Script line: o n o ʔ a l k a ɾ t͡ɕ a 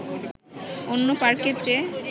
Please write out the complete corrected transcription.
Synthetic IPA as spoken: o nː o p a ɾ k e ɾ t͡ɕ e